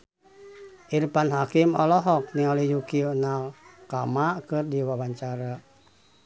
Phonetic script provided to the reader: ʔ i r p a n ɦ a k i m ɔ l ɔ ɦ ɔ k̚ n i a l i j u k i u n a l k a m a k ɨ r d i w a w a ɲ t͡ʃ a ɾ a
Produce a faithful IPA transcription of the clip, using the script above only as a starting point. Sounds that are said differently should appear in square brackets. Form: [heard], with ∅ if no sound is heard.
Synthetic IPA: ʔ i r p a n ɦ a k i m ɔ l ɔ ɦ ɔ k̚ n i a l i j u k i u n a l k a m a k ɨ r d i w a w a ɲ t͡ʃ a ɾ a